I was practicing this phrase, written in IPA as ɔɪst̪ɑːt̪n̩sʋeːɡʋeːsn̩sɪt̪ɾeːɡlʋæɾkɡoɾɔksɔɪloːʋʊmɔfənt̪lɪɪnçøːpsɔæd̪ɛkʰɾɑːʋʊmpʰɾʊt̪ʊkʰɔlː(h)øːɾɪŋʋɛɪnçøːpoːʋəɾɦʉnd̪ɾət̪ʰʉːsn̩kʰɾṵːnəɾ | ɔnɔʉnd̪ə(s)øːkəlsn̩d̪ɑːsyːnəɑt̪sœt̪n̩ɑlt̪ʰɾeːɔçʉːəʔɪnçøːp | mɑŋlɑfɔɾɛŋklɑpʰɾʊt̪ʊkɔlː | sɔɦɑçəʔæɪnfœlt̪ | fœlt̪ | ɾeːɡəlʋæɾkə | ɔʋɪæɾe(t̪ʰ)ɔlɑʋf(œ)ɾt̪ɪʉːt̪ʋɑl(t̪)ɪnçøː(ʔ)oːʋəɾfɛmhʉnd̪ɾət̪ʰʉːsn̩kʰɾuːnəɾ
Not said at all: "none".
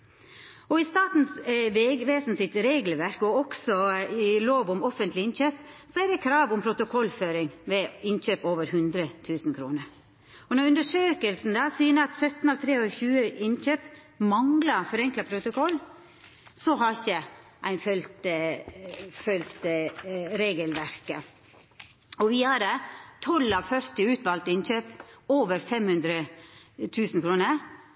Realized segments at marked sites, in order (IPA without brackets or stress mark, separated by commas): f, ʂ, t̪ʰ, œ, t̪, p